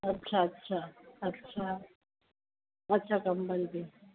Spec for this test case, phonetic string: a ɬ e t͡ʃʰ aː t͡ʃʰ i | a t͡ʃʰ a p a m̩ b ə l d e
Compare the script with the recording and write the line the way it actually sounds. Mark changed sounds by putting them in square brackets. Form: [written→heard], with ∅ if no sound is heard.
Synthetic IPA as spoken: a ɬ [e→a] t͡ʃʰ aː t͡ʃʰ [i→a] | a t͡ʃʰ a [p→k] a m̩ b [ə→a] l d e